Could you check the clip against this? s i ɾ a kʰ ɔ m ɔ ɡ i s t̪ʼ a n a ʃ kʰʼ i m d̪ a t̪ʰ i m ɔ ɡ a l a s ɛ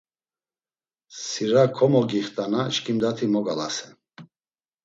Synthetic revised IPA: s i ɾ a kʰ ɔ m ɔ ɡ i χ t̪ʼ a n a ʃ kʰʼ i m d̪ a t̪ʰ i m ɔ ɡ a l a s ɛ